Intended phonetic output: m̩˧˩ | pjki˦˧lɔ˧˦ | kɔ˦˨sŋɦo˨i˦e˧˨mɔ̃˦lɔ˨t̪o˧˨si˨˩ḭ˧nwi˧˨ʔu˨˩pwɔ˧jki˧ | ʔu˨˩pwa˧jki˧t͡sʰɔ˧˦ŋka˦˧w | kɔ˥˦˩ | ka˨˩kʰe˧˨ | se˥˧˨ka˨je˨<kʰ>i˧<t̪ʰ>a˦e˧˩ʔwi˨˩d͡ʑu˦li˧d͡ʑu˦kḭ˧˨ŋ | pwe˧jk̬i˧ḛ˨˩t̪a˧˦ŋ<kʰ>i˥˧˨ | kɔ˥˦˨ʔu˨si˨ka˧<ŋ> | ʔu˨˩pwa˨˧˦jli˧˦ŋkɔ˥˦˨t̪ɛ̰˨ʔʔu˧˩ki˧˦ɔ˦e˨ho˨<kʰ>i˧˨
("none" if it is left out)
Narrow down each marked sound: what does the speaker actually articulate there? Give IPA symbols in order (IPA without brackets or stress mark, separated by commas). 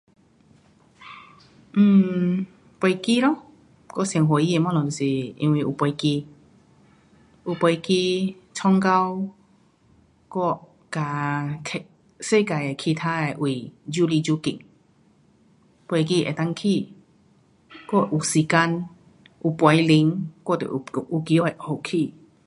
kʰ, t̪ʰ, kʰ, n, kʰ